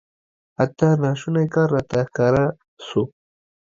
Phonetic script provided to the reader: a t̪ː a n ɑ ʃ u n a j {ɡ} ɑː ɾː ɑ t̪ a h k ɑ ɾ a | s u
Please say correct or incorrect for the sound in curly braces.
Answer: incorrect